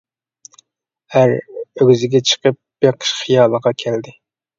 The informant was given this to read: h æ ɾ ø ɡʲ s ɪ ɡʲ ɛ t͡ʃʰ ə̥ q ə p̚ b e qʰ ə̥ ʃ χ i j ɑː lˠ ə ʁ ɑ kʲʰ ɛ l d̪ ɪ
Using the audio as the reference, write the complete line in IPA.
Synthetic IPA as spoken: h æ ɾ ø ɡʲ z ɪ ɡʲ ɛ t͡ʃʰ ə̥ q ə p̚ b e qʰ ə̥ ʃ χ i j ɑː lˠ ə ʁ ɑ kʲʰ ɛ l d̪ ɪ